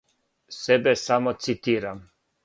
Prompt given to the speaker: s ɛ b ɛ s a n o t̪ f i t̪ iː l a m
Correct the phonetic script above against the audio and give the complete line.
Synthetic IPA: s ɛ b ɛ s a m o t̪ s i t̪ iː ɾ a m

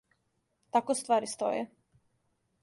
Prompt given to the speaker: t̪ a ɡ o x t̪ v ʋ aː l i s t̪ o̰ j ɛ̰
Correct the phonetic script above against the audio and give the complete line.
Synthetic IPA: t̪ a k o s t̪ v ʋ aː ɾ i s t̪ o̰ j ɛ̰

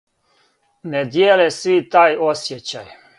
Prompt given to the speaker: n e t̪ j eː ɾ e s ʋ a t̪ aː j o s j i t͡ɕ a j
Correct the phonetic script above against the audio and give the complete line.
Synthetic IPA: n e d̪ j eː l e s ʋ i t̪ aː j o s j e t͡ɕ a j

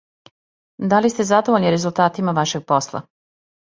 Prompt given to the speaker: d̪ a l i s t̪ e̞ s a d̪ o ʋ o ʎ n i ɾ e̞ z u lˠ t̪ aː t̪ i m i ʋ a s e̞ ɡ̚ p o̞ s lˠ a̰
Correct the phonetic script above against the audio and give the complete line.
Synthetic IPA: d̪ a l i s t̪ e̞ z a d̪ o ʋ o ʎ n i ɾ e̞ z u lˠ t̪ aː t̪ i m a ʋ a ʃ e̞ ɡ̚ p o̞ s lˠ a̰

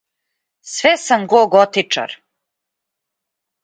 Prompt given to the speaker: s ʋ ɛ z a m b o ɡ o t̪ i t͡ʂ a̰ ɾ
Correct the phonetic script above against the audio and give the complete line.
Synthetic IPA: s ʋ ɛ s a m ɡ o ɡ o t̪ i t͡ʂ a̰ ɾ

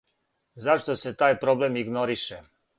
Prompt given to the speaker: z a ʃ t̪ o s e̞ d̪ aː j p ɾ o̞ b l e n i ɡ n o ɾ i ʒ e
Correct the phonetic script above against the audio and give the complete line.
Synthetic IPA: z a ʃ t̪ o s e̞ t̪ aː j p ɾ o̞ b l e m i ɡ n o ɾ i ʃ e

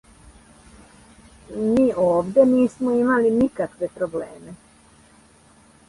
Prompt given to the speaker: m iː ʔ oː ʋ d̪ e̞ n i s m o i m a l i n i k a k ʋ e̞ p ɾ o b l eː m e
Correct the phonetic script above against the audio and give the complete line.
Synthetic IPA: m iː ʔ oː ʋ d̪ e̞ n iː s m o i m a l i n i k a k ʋ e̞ p ɾ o b l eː m e

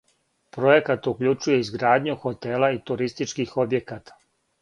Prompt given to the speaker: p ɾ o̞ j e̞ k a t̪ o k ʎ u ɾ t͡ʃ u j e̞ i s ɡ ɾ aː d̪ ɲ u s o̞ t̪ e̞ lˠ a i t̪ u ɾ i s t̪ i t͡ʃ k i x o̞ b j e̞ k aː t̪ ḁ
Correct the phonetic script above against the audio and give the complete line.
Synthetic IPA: p ɾ o̞ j e̞ k a t̪ u k ʎ u t͡ʃ u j e̞ i z ɡ ɾ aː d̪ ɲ u x o̞ t̪ e̞ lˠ a i t̪ u ɾ i s t̪ i t͡ʃ k i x o̞ b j e̞ k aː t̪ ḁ

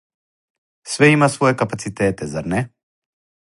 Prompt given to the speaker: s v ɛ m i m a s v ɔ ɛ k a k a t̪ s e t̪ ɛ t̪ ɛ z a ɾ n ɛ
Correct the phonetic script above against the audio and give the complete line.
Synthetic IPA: s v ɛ i m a s v ɔ ɛ k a p a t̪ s i t̪ ɛ t̪ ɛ z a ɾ n ɛ

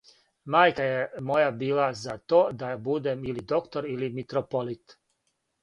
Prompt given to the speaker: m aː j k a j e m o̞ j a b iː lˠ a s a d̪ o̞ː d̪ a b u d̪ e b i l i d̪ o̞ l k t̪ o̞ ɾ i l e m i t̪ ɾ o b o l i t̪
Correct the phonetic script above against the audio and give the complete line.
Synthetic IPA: m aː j k a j e m o̞ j a b iː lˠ a z a t̪ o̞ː d̪ a b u d̪ e m i l i d̪ o̞ k t̪ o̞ ɾ i l i m i t̪ ɾ o p o l i t̪

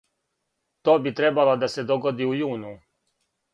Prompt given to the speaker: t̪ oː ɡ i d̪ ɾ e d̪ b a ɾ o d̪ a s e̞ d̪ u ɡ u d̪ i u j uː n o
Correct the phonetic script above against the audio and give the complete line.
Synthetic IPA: t̪ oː b i t̪ ɾ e b a l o d̪ a s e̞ d̪ o ɡ o d̪ i u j uː n u

